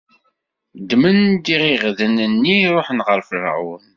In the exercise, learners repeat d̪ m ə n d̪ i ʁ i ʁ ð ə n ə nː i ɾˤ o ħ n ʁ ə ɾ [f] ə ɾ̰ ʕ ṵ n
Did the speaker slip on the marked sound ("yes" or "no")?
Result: no